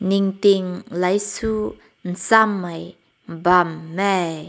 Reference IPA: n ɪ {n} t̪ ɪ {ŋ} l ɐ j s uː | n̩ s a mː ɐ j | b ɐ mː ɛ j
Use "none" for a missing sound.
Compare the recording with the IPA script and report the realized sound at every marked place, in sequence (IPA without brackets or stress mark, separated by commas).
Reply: ŋ, ŋ